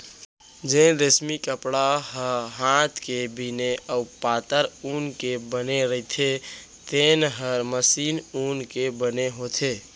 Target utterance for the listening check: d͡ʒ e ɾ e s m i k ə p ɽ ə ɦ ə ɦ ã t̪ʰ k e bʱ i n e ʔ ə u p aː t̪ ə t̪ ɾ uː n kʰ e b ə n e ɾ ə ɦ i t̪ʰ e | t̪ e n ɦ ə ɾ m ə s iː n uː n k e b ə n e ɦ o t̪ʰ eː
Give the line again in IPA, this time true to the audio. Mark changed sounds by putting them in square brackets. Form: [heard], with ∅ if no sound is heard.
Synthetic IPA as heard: d͡ʒ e ɾ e s m i k ə p ɽ [a] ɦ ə ɦ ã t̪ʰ k e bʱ i n e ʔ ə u p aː t̪ ə [∅] ɾ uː n [k] e b ə n e ɾ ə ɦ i t̪ʰ e | t̪ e n ɦ ə ɾ m ə s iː n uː n k e b ə n e ɦ o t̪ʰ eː